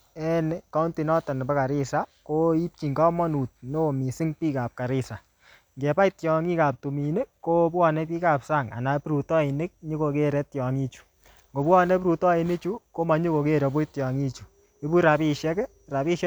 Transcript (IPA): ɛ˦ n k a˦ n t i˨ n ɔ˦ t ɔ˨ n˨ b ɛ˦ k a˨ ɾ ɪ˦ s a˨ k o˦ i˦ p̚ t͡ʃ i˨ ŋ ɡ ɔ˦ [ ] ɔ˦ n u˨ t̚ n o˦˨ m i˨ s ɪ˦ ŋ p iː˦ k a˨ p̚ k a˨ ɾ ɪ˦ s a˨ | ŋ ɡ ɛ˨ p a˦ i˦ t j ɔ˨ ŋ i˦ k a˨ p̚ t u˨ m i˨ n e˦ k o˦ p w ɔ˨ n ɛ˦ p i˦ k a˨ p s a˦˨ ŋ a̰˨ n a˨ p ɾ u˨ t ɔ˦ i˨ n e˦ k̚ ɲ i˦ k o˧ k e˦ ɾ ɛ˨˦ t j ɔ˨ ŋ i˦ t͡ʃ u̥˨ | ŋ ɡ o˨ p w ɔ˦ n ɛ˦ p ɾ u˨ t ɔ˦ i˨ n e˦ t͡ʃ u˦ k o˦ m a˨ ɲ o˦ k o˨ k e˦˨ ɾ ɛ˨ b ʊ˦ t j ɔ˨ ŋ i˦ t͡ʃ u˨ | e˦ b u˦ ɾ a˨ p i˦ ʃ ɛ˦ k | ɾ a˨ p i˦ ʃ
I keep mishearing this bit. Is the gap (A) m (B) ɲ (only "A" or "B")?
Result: A